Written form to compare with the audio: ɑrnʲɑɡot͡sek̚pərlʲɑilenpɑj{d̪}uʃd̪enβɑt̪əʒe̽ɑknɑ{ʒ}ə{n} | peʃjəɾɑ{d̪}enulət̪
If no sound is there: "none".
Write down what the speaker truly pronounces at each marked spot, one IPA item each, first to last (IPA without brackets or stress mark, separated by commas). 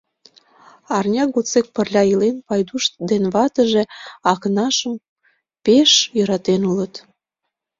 d̪, ʃ, m, t̪